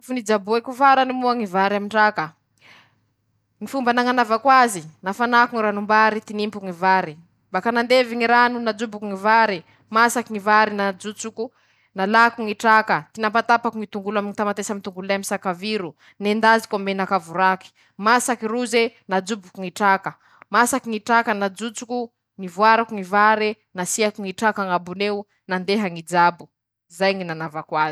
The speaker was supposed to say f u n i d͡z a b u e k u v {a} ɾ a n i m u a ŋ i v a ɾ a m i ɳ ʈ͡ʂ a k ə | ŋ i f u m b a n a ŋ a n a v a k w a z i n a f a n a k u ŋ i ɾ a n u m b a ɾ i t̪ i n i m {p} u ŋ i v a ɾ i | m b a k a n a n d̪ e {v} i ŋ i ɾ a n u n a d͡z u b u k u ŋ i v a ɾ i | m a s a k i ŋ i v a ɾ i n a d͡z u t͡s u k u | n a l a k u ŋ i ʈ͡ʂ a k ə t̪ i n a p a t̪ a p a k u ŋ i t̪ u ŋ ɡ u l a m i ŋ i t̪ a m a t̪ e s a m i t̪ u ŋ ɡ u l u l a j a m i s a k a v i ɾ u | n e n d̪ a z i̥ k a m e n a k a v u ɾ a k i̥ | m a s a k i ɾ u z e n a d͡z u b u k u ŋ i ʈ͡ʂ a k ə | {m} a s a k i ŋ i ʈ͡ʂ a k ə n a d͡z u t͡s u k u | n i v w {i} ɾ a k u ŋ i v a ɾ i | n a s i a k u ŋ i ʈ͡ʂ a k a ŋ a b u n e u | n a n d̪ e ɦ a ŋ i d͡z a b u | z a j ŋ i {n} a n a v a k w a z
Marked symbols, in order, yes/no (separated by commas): yes, yes, yes, yes, no, yes